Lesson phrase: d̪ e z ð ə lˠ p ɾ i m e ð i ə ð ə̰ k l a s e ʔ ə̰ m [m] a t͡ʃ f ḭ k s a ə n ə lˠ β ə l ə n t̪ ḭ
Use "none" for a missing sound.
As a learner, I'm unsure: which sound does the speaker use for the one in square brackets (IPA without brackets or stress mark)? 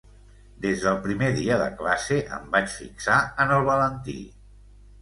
b